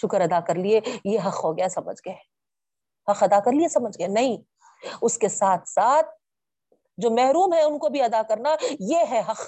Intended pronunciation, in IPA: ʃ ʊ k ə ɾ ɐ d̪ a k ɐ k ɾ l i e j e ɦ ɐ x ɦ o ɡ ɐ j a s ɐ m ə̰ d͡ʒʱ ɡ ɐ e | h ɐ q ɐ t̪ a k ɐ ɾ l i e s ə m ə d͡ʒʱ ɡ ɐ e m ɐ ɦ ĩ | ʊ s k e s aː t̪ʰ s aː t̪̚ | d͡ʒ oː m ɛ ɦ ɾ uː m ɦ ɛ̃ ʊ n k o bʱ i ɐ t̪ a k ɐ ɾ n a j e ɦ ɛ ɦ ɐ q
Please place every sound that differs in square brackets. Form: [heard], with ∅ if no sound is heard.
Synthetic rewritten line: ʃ ʊ k ə ɾ ɐ d̪ a k ɐ [∅] ɾ l i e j e ɦ ɐ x ɦ o ɡ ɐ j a s ɐ m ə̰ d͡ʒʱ ɡ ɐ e | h ɐ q ɐ [d̪] a k ɐ ɾ l i e s [ɐ] m ə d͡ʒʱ ɡ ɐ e [n] ɐ ɦ ĩ | ʊ s k e s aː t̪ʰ s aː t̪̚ | d͡ʒ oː m ɛ ɦ ɾ uː m ɦ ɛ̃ ʊ n k o bʱ i ɐ [d̪] a k ɐ ɾ n a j e ɦ ɛ ɦ ɐ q